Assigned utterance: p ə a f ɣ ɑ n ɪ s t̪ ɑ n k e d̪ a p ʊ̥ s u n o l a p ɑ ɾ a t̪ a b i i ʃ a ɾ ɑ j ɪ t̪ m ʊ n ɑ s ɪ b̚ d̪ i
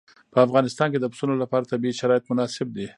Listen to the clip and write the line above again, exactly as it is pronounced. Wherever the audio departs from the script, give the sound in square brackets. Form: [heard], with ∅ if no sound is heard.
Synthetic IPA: p ə a f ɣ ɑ n ɪ s t̪ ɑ n k e d̪ [ə] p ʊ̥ s u n o l a p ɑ ɾ a t̪ a b i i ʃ a ɾ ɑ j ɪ t̪ m ʊ n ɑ s ɪ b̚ d̪ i